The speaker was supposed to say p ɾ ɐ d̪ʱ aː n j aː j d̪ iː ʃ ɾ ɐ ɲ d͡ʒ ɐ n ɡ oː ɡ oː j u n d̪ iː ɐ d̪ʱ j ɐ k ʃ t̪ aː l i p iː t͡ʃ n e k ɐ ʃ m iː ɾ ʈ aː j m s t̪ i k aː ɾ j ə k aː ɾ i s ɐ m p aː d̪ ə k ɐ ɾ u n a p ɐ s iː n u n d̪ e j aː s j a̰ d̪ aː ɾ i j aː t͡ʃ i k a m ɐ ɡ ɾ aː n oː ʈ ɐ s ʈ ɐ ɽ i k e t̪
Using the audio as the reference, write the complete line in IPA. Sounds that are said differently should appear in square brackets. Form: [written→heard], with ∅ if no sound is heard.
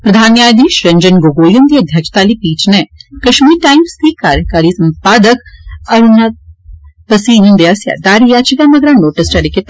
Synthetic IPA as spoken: p ɾ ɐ d̪ʱ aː n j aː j d̪ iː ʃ ɾ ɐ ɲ d͡ʒ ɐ n ɡ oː ɡ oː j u n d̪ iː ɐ d̪ʱ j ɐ k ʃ t̪ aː l i p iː t͡ʃ n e k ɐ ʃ m iː ɾ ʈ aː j m s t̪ i k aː ɾ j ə k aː ɾ i s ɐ m p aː d̪ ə k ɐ ɾ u n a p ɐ s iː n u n d̪ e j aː s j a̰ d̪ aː ɾ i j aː t͡ʃ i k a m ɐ ɡ ɾ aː n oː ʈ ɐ s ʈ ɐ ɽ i k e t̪